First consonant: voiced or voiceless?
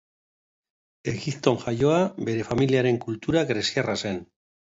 voiced